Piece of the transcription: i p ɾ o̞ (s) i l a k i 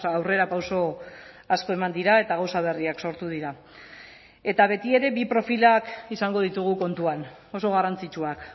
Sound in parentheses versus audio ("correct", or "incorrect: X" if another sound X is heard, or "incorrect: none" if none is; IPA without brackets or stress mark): incorrect: f